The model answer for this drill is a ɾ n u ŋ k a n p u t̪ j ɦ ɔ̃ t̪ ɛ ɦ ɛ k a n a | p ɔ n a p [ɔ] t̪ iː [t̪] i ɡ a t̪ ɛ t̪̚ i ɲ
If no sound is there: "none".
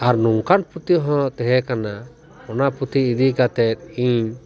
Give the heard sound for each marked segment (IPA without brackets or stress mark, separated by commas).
u, d̪